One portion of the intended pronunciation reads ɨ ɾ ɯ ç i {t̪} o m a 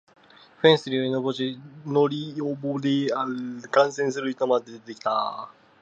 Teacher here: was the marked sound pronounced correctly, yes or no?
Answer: yes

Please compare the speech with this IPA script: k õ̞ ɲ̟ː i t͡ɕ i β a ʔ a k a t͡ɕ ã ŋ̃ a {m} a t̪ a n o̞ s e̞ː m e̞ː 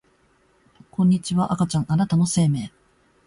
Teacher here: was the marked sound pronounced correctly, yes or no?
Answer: no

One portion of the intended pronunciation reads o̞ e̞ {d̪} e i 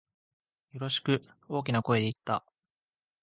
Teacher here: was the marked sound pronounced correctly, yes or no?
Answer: yes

